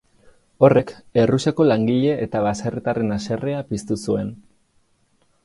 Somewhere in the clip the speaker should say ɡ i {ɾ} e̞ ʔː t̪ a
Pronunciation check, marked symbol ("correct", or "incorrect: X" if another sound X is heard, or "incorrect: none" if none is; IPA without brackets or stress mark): incorrect: ʎ